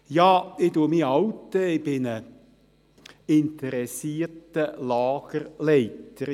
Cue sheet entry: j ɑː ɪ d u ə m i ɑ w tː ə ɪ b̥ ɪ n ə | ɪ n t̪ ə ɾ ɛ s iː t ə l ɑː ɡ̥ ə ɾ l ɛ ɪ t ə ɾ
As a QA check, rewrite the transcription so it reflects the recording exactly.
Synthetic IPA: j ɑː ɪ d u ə m i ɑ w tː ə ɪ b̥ ɪ n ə | ɪ n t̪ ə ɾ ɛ s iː t ə l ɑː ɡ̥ ə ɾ l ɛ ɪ t ə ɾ